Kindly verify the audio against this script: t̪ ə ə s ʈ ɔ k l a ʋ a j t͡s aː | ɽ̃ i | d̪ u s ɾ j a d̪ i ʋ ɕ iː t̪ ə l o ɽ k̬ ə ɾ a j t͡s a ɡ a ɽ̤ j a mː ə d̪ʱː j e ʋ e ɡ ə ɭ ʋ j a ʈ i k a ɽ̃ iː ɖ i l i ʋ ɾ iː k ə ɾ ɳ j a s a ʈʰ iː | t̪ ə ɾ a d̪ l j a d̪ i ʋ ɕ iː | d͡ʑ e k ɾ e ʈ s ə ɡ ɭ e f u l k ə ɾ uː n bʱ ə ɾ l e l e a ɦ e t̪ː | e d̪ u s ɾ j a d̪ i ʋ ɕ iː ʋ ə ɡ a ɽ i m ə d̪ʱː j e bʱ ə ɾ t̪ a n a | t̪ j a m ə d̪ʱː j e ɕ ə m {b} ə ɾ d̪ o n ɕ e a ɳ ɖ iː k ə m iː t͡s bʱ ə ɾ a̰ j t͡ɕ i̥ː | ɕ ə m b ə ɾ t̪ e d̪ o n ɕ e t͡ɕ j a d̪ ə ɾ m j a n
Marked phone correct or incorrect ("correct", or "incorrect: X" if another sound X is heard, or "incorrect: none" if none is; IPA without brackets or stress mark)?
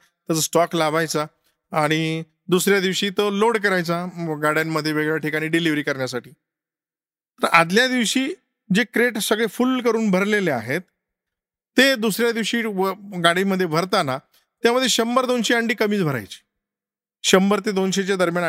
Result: correct